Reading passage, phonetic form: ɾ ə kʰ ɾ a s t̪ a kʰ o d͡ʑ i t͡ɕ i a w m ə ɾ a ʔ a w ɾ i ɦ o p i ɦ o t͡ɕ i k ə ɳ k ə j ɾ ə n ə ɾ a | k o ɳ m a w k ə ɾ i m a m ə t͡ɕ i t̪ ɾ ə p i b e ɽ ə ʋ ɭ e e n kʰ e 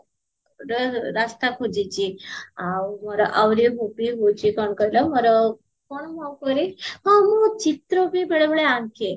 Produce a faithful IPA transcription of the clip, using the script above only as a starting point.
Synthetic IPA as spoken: ɾ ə ɾ a s t̪ a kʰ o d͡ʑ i t͡ɕ i a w m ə ɾ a ʔ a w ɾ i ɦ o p i ɦ o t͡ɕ i k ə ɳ k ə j l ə m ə ɾ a | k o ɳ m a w k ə ɾ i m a m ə t͡ɕ i t̪ ɾ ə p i b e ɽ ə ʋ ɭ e a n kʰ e